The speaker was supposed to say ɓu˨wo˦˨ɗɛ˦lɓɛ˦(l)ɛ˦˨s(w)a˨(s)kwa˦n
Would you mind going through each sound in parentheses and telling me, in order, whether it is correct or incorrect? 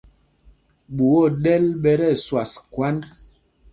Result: incorrect, correct, correct

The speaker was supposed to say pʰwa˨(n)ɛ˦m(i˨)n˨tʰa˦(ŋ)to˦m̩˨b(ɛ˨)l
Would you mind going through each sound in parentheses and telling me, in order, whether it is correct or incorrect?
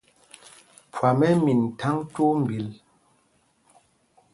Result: incorrect, correct, correct, incorrect

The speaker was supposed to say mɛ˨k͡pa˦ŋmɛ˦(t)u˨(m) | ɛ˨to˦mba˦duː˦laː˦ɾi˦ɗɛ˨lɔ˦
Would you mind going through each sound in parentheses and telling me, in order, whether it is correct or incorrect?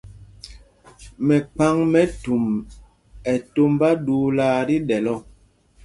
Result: correct, correct

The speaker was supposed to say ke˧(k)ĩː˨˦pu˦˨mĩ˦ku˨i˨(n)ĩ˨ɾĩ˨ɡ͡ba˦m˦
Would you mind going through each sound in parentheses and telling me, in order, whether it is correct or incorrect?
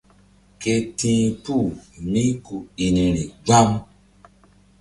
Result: incorrect, correct

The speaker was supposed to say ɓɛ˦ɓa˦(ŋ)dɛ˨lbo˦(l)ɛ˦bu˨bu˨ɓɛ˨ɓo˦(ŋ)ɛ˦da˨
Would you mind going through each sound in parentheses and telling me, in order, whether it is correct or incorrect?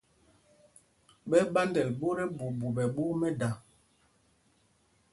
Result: incorrect, incorrect, incorrect

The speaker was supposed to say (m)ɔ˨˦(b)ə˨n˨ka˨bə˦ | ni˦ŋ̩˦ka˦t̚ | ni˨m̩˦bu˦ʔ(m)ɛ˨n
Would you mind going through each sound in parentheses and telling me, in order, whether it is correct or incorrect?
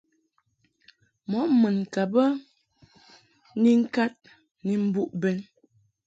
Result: correct, incorrect, incorrect

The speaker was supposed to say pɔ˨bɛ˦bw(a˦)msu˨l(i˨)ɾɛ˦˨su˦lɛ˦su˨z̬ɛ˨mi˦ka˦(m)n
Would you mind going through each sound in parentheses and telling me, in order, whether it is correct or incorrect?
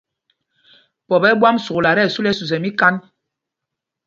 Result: correct, incorrect, incorrect

